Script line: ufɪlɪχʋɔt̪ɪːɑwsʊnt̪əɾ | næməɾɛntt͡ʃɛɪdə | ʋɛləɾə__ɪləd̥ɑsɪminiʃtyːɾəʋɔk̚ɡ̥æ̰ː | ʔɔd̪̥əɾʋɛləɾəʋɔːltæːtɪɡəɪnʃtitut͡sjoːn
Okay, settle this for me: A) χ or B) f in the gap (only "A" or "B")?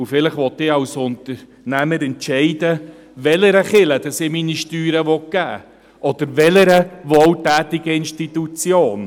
A